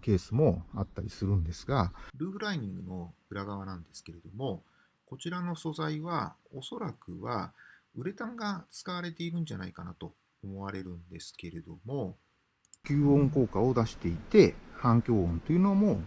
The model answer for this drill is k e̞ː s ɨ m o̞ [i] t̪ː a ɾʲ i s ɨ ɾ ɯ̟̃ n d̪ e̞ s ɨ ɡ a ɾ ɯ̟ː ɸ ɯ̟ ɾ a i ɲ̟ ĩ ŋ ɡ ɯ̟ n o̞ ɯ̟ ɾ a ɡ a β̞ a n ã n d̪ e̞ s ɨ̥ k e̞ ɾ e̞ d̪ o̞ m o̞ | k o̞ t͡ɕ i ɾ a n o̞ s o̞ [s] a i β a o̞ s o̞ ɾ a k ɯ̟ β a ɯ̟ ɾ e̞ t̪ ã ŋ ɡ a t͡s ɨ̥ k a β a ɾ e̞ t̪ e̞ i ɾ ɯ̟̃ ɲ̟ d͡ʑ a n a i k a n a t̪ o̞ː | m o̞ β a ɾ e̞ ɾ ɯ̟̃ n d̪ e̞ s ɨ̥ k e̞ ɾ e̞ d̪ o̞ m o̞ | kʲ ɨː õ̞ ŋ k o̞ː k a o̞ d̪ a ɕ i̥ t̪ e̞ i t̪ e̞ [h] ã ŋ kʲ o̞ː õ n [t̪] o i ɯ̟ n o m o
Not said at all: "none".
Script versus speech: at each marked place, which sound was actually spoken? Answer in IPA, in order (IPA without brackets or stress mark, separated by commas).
a, z, h, t̪